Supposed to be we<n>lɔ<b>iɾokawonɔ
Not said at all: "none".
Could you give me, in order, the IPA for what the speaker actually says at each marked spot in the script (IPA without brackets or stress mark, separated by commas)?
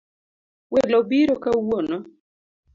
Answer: none, b